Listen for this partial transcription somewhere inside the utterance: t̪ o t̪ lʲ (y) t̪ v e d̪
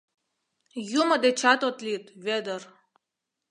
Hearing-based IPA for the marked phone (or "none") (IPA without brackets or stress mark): i